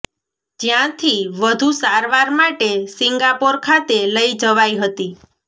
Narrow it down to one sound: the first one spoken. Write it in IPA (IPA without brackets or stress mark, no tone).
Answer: d͡ʒ